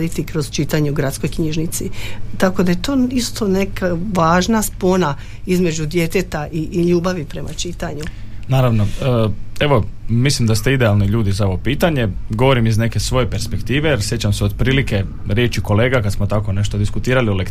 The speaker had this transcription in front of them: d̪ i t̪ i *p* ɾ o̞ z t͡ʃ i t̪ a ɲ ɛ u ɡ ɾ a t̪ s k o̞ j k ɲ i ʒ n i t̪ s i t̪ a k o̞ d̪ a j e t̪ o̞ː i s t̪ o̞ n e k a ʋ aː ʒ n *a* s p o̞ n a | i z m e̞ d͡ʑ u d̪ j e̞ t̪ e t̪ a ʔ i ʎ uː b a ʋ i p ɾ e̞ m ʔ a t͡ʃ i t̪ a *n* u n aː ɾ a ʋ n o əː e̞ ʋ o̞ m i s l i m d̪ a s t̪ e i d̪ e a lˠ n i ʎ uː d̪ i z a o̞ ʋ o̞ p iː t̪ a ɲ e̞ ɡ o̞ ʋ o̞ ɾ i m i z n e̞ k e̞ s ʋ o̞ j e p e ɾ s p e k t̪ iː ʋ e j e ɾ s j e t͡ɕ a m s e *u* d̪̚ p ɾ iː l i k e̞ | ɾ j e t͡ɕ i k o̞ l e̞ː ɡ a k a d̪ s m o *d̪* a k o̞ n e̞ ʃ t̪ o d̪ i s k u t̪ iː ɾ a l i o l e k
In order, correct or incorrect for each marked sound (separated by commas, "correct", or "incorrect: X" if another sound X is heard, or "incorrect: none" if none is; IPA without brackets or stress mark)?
incorrect: k, correct, incorrect: ɲ, incorrect: o, incorrect: t̪